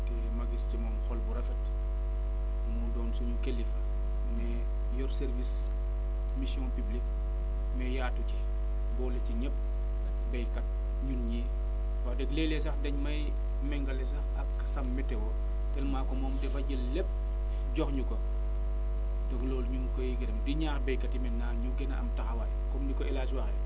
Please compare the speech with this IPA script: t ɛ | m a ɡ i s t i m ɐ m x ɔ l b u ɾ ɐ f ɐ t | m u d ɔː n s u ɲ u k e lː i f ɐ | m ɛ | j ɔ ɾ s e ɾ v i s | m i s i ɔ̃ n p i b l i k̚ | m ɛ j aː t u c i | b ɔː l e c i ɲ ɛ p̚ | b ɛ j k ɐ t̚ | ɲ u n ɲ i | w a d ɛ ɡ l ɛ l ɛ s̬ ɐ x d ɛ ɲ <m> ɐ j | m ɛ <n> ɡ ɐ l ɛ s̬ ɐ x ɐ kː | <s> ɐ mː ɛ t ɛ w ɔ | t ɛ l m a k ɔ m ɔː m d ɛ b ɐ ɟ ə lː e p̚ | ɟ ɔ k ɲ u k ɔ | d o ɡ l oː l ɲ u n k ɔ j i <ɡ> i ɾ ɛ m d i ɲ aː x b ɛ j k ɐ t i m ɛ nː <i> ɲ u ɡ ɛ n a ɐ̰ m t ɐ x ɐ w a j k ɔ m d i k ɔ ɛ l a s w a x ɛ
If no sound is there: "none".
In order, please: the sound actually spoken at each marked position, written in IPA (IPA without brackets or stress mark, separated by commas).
m, ŋ, s, ɡ, a